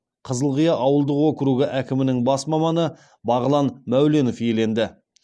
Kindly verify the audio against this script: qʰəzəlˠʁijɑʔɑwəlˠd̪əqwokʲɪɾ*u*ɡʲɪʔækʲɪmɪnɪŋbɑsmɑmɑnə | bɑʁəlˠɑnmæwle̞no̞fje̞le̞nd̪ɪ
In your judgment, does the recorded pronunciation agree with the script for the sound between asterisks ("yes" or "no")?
yes